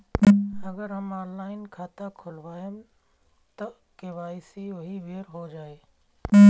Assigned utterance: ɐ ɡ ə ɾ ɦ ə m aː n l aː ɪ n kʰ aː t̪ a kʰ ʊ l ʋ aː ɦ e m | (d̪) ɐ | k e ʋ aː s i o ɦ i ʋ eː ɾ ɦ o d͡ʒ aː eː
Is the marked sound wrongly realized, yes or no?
yes